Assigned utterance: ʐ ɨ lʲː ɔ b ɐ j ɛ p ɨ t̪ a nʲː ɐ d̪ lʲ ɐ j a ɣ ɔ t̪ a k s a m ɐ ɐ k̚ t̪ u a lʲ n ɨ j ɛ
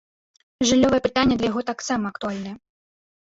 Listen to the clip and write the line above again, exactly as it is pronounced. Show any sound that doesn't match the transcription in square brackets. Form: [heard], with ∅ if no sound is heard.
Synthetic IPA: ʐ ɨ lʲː ɔ [v] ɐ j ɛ p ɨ t̪ a nʲː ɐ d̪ lʲ ɐ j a ɣ ɔ t̪ a k s a m ɐ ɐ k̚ t̪ u a lʲ n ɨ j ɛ